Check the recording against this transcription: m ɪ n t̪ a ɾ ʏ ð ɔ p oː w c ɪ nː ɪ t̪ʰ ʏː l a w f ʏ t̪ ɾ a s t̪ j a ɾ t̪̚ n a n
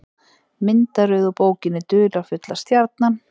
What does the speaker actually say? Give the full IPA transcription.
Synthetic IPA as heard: m ɪ n t̪ a ɾ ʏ ð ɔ p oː w c ɪ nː ɪ t̪ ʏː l a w f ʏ t̪ l a s t̪ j a ɾ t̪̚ n a n